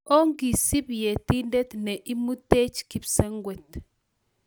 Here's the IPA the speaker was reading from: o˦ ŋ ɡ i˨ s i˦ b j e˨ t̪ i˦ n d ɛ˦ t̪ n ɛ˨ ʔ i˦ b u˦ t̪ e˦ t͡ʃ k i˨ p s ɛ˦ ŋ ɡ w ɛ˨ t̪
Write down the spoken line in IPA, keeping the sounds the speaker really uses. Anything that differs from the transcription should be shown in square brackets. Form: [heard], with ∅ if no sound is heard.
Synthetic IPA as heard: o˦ ŋ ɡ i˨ s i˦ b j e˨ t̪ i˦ n d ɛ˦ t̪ n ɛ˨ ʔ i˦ [m] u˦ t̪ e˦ t͡ʃ k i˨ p s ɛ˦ ŋ ɡ w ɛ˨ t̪